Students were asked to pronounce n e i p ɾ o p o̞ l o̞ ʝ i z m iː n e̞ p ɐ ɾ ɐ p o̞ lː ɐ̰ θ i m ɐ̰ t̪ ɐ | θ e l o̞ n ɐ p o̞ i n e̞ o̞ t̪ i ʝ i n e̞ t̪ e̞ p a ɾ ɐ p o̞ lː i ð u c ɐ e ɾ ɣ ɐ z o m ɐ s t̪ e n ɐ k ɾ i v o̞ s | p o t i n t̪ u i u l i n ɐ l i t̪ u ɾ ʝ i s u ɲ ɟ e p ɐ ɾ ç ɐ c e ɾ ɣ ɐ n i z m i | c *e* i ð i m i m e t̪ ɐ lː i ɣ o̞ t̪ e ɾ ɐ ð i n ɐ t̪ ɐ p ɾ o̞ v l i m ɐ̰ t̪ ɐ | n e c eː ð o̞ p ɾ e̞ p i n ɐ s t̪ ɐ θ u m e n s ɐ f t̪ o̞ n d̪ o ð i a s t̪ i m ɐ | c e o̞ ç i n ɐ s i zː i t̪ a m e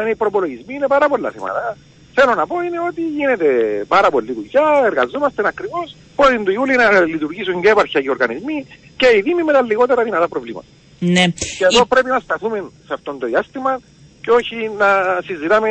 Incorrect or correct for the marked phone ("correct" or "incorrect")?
correct